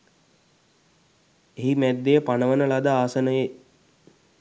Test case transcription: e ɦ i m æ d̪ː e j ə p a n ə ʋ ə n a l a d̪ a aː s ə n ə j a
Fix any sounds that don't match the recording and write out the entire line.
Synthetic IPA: e ɦ i m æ d̪ː e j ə p a n ə ʋ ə n ə l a d̪ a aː s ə n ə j e